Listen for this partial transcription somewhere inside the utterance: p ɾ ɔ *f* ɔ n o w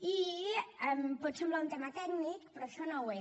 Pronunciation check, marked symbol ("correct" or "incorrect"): incorrect